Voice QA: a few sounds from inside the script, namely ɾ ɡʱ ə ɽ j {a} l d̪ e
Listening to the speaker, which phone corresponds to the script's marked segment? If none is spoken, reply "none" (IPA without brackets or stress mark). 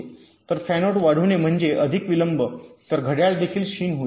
a